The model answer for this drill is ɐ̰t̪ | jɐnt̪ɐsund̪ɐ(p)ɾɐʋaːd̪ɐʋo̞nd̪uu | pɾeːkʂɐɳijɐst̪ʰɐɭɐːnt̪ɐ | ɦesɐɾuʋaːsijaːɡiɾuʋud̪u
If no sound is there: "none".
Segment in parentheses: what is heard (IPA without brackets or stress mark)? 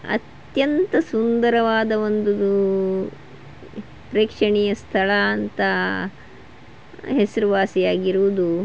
none